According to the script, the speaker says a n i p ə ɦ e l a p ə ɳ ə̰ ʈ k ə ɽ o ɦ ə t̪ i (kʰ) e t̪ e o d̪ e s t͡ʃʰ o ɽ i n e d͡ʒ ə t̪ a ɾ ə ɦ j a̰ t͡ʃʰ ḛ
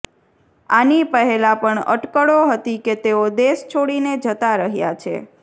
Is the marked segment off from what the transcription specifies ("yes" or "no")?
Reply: yes